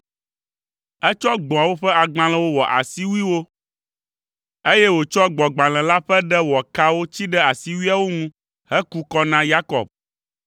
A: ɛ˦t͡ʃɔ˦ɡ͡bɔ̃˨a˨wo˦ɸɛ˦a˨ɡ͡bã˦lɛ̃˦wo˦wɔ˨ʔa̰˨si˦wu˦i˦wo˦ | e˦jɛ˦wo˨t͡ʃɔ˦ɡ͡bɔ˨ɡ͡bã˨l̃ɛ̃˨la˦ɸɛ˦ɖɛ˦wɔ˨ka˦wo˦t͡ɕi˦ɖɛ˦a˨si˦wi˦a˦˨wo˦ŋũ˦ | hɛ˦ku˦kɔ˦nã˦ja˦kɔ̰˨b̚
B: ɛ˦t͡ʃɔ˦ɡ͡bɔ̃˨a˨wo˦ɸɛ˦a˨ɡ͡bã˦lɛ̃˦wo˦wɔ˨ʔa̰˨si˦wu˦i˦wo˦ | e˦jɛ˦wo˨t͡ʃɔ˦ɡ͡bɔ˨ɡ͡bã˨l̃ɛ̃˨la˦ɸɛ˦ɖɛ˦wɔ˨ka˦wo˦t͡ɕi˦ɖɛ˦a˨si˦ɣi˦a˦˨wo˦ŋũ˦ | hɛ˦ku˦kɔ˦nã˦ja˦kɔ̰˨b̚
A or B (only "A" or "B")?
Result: A